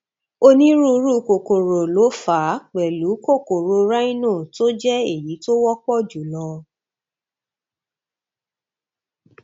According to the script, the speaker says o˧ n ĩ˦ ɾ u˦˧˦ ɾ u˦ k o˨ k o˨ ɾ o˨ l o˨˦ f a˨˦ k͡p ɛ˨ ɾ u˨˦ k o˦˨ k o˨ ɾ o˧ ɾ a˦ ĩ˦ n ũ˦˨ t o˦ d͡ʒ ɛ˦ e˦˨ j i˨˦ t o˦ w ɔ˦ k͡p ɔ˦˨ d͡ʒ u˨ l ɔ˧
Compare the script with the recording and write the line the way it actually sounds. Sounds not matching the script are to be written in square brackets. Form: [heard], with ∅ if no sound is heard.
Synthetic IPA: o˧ n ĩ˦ ɾ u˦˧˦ ɾ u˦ k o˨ k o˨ ɾ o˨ l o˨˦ f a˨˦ k͡p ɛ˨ [l] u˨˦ k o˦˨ k o˨ ɾ o˧ ɾ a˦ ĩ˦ n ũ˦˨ t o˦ d͡ʒ ɛ˦ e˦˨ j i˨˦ t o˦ w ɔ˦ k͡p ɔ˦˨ d͡ʒ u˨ l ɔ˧

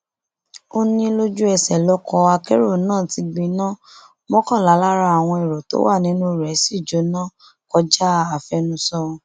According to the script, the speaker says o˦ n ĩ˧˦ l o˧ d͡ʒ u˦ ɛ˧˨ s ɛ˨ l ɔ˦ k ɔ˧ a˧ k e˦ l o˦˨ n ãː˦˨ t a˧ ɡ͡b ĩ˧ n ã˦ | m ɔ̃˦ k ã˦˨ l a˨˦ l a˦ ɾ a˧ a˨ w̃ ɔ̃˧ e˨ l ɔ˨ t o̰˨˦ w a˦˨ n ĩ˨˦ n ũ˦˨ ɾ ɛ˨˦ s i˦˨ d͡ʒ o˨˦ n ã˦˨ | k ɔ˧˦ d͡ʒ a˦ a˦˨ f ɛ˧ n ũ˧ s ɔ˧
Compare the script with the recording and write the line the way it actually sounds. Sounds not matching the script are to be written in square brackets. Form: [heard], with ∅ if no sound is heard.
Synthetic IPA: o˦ n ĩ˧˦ l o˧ d͡ʒ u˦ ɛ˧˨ s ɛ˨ l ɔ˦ k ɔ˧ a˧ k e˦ [ɾ] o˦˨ n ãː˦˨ t [i˧] ɡ͡b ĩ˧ n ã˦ | m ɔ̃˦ k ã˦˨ l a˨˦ l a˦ ɾ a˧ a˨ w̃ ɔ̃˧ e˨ [ɾ] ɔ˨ t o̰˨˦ w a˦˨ n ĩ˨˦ n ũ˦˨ ɾ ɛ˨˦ s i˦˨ d͡ʒ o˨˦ n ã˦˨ | k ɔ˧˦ d͡ʒ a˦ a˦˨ f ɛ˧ n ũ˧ s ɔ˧

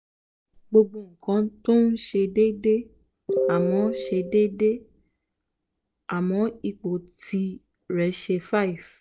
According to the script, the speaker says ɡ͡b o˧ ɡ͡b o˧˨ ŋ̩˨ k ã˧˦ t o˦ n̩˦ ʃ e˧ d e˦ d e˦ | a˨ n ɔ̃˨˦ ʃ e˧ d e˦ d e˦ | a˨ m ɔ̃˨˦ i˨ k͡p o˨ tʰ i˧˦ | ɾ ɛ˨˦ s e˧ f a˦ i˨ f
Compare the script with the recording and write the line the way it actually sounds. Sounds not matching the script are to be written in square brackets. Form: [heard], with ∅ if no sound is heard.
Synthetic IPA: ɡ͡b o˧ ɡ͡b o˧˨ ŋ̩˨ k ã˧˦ t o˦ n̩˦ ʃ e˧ d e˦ d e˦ | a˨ [m] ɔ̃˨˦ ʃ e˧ d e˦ d e˦ | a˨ m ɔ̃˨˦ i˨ k͡p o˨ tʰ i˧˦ | ɾ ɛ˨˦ [ʃ] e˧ f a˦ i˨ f

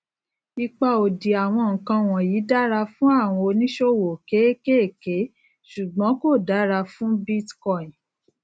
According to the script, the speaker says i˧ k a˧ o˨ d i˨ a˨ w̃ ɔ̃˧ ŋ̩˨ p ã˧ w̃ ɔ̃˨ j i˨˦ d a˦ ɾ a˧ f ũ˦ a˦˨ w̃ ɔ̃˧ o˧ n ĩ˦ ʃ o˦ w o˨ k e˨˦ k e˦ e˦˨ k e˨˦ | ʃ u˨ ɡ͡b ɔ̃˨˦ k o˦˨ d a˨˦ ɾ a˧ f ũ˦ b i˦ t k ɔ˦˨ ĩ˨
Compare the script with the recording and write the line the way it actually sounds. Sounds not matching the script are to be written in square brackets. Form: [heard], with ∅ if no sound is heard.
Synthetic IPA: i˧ [k͡p] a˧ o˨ d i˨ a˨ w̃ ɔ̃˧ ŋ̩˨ [k] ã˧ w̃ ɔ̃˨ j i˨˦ d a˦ ɾ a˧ f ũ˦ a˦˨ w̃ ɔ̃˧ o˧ n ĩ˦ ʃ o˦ w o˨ k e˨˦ k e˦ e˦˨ k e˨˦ | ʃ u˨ ɡ͡b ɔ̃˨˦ k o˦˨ d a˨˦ ɾ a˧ f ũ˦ b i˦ t k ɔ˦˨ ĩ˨

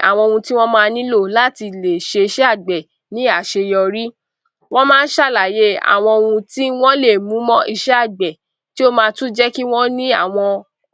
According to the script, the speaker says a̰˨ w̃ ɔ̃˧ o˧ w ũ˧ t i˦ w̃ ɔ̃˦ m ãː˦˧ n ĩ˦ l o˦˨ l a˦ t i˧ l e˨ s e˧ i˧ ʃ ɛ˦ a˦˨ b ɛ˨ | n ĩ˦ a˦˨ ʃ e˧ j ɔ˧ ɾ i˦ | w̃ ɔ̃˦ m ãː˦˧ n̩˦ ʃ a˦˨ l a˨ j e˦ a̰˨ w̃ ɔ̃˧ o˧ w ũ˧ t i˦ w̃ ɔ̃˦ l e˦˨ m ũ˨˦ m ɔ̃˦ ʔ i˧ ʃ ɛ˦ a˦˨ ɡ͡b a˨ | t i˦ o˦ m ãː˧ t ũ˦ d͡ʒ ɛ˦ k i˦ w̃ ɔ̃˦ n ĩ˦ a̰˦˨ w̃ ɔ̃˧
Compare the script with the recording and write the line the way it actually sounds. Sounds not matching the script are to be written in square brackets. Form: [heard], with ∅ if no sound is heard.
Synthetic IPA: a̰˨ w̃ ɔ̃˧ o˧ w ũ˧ t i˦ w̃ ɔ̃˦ m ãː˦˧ n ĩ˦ l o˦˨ l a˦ t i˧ l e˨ [ʃ] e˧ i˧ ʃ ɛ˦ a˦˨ [ɡ͡b] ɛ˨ | n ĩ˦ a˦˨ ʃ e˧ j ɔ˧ ɾ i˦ | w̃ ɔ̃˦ m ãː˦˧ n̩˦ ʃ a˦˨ l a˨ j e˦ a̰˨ w̃ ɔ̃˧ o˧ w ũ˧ t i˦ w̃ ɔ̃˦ l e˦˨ m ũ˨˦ m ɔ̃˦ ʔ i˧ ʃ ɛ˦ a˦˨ ɡ͡b [ɛ˨] | t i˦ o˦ m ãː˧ t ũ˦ d͡ʒ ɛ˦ k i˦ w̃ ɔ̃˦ n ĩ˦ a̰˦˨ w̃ ɔ̃˧

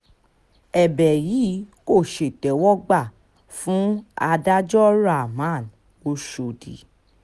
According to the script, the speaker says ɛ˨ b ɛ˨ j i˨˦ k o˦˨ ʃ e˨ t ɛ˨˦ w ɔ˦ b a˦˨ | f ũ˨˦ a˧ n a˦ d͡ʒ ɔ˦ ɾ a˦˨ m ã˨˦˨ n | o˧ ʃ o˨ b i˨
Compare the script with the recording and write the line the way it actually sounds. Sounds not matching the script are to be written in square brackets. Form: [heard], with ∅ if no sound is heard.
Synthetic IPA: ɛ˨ b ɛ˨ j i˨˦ k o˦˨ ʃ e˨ t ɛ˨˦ w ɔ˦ [ɡ͡b] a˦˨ | f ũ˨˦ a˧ [d] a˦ d͡ʒ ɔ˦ ɾ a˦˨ m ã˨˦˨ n | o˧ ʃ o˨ [d] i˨

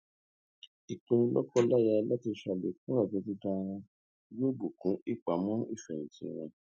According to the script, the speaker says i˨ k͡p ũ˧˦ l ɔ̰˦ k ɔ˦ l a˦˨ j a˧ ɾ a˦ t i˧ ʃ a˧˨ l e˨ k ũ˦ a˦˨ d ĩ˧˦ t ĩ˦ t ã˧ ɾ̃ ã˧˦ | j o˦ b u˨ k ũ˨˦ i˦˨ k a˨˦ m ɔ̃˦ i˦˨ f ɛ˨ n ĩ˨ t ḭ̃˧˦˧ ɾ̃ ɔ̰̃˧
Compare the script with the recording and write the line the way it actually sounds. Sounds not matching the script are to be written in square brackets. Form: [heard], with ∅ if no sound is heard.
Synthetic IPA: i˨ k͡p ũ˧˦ l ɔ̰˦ k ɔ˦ l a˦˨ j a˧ [l] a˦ t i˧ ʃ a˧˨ l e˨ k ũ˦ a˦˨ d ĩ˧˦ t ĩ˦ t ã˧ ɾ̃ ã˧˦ | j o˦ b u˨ k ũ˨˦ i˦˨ [k͡p] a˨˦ m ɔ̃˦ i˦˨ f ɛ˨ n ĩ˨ t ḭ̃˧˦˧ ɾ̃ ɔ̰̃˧

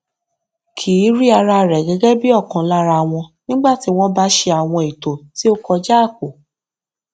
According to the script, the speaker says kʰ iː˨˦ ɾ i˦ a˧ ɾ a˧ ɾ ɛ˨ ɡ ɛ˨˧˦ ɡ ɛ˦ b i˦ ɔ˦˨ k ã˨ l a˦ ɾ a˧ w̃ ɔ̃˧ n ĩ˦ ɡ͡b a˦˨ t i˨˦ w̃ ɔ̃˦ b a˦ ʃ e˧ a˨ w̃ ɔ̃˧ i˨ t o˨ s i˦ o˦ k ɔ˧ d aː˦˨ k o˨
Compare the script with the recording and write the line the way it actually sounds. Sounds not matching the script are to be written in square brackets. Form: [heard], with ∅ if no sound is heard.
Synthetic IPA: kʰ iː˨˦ ɾ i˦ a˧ ɾ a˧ ɾ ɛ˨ ɡ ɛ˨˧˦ ɡ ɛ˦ b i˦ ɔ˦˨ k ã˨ l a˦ ɾ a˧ w̃ ɔ̃˧ n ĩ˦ ɡ͡b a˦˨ t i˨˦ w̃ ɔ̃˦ b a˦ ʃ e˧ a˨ w̃ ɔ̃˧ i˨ t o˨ [t] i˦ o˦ k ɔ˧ [d͡ʒ] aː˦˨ k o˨

